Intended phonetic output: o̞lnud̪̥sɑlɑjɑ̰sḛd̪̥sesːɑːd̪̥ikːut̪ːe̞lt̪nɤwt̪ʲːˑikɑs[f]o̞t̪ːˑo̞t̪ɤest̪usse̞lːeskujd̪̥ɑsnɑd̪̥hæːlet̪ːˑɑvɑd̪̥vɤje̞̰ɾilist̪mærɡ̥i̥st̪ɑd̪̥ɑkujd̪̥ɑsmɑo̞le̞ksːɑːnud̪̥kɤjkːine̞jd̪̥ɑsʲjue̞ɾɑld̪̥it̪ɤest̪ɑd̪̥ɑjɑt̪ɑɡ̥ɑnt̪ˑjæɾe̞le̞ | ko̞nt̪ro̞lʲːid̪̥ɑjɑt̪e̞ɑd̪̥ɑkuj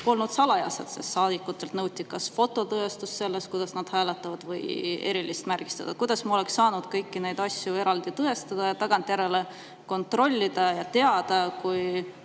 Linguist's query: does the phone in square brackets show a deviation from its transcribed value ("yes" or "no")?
no